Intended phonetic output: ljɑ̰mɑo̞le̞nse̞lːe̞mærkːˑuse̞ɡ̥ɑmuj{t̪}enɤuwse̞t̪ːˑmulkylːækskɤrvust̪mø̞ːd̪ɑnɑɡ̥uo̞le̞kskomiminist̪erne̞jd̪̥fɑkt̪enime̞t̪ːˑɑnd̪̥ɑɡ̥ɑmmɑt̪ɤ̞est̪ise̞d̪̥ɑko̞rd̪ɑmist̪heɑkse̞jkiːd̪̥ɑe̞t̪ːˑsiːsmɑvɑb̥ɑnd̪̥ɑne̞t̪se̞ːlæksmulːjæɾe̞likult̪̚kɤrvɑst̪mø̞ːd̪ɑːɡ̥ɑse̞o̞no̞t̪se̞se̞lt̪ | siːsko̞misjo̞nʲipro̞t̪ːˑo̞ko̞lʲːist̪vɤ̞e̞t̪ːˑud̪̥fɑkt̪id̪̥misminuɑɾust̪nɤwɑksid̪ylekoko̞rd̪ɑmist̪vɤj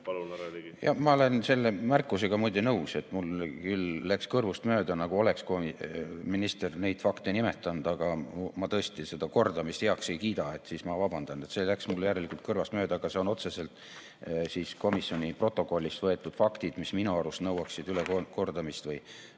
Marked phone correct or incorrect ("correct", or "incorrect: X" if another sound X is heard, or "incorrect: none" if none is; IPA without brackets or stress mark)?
incorrect: d̪